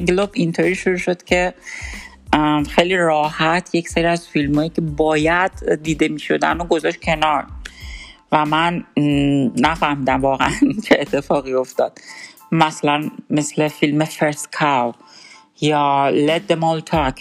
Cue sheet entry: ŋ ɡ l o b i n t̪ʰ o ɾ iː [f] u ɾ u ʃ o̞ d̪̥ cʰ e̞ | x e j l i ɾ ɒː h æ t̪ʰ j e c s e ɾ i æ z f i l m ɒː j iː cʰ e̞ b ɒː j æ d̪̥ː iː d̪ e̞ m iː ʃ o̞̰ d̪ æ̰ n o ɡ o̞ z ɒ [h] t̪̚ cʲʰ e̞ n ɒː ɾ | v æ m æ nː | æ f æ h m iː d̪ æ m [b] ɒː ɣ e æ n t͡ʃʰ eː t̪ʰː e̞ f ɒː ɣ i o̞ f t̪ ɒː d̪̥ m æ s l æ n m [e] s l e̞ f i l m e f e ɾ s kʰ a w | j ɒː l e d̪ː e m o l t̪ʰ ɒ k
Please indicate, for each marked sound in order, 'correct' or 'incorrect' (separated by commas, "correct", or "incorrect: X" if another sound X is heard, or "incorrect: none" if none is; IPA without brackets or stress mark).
incorrect: ʃ, incorrect: ʃ, incorrect: v, correct